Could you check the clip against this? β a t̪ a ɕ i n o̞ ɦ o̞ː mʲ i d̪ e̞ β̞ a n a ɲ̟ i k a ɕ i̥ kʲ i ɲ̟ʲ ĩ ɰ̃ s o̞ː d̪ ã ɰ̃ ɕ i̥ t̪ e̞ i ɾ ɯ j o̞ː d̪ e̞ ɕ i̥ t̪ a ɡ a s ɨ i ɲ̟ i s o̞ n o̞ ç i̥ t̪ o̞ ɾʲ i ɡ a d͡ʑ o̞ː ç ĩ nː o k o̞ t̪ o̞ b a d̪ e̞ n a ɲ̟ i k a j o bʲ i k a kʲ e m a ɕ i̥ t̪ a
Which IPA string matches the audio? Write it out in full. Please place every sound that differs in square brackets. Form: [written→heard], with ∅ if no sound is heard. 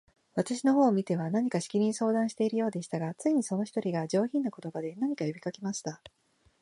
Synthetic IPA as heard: β a t̪ a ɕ i n o̞ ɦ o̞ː mʲ i [d̪→t̪] e̞ β̞ a n a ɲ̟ i k a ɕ i̥ kʲ i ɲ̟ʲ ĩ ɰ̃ s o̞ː d̪ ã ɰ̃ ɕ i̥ t̪ e̞ i ɾ ɯ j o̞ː d̪ e̞ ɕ i̥ t̪ a ɡ a [s→t͡s] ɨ i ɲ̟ i s o̞ n o̞ ç i̥ t̪ o̞ ɾʲ i ɡ a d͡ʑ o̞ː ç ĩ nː o k o̞ t̪ o̞ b a d̪ e̞ n a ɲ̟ i k a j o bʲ i k a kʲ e m a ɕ i̥ t̪ a